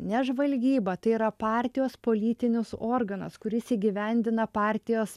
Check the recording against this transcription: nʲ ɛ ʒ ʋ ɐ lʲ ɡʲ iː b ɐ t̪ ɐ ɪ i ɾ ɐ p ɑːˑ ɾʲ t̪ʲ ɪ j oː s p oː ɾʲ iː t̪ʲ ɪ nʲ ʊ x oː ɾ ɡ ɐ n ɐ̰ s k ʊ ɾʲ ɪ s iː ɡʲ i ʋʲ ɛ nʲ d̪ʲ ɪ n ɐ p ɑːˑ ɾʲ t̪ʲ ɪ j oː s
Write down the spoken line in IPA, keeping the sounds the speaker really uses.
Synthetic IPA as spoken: nʲ ɛ ʒ ʋ ɐ lʲ ɡʲ iː b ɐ t̪ ɐ ɪ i ɾ ɐ p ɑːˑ ɾʲ t̪ʲ ɪ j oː s p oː lʲ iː t̪ʲ ɪ nʲ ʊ s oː ɾ ɡ ɐ n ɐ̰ s k ʊ ɾʲ ɪ s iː ɡʲ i ʋʲ ɛ nʲ d̪ʲ ɪ n ɐ p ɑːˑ ɾʲ t̪ʲ ɪ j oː s